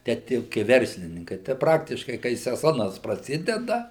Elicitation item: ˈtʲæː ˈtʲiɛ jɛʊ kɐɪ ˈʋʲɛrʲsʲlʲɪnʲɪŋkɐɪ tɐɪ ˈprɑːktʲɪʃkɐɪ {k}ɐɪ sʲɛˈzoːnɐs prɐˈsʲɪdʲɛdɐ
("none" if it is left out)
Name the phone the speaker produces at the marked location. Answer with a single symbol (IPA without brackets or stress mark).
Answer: k